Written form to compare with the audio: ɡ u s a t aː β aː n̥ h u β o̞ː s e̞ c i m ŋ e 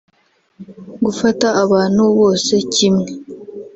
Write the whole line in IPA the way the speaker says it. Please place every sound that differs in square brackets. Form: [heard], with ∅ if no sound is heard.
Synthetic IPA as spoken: ɡ u [f] a t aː β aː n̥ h u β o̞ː s e̞ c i m ŋ e